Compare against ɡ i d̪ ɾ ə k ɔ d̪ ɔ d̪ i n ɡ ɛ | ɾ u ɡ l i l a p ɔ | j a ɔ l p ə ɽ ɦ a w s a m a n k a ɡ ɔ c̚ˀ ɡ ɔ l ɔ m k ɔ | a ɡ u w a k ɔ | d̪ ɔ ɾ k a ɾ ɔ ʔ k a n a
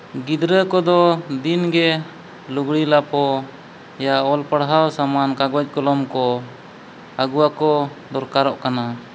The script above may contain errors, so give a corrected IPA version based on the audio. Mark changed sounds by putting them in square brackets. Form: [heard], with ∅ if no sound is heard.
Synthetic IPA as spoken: ɡ i d̪ ɾ ə k ɔ d̪ ɔ d̪ i n ɡ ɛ | [l] u ɡ [ɽ] i l a p ɔ | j a ɔ l p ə ɽ ɦ a w s a m a n k a ɡ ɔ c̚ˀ [k] ɔ l ɔ m k ɔ | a ɡ u w a k ɔ | d̪ ɔ ɾ k a ɾ ɔ ʔ k a n a